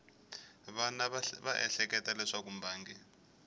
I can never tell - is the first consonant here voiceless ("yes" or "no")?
no